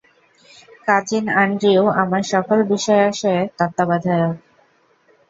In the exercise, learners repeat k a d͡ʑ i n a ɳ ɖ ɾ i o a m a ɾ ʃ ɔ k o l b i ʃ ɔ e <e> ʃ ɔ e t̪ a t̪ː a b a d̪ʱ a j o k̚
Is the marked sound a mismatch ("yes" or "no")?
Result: yes